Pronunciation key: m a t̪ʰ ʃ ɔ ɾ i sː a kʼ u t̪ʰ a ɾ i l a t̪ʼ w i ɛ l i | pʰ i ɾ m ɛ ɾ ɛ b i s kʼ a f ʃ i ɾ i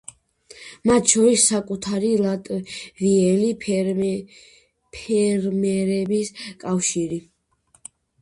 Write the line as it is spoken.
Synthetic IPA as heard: m a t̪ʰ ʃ ɔ ɾ i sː a kʼ u t̪ʰ a ɾ i l a t̪ʼ v i ɛ l i | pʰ ɛ ɾ m ɛ ɾ ɛ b i s kʼ a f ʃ i ɾ i